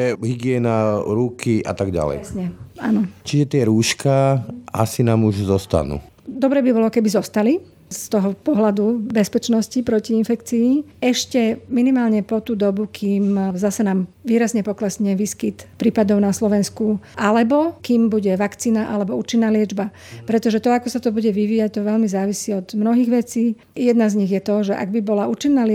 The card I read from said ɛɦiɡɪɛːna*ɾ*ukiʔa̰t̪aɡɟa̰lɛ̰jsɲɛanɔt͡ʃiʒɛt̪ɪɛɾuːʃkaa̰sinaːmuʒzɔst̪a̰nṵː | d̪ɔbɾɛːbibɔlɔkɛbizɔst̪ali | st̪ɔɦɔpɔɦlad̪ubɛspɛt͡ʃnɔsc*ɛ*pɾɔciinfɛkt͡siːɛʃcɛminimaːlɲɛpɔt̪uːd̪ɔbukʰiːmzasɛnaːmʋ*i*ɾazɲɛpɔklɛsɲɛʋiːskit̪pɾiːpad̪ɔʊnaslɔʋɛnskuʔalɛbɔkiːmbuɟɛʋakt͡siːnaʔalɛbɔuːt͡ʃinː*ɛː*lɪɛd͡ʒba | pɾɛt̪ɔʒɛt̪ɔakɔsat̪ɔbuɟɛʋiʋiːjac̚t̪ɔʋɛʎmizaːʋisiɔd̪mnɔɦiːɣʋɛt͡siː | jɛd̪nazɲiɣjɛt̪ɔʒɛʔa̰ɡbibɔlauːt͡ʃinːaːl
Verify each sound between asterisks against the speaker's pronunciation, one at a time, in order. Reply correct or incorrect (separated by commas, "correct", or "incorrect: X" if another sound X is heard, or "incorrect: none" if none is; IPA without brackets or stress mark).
correct, incorrect: i, incorrect: iː, incorrect: aː